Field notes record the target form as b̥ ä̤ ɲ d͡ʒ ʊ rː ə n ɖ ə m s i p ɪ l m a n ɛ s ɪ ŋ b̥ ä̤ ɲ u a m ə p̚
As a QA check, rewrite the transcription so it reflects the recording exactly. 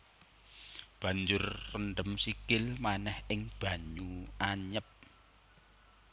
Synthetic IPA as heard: b̥ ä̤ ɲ d͡ʒ ʊ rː ə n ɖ ə m s i k ɪ l m a n ɛ h ɪ ŋ b̥ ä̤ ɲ u a ɲ ə p̚